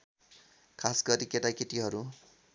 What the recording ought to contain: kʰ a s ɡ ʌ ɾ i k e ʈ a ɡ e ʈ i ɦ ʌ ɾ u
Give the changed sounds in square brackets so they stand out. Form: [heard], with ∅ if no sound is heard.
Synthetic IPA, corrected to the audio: kʰ a s ɡ ʌ ɾ i k e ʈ a [k] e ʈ i ɦ ʌ ɾ u